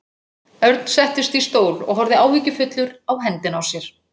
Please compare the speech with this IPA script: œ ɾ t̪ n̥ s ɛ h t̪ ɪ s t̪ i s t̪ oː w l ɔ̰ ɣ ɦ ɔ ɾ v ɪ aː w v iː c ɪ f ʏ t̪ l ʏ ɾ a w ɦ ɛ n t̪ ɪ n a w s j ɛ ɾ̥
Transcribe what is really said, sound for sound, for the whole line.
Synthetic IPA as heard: œ ɾ t̪ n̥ s ɛ h t̪ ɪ s t̪ i s t̪ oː w l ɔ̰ ɣ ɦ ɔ ɾ ð ɪ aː w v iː c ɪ f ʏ t̪ l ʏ ɾ a w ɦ ɛ n t̪ ɪ n a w s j ɛ ɾ̥